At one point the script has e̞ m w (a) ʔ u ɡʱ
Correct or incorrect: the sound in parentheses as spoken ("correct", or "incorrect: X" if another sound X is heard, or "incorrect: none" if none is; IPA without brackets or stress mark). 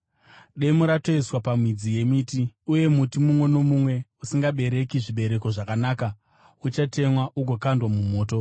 correct